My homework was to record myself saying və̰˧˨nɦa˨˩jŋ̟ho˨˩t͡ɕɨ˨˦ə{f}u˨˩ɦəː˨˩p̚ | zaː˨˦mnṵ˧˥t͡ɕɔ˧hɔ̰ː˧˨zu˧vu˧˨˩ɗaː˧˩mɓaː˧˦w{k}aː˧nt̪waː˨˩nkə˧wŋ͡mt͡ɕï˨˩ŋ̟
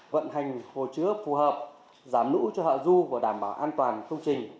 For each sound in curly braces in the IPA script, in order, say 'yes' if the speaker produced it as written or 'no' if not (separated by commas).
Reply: yes, no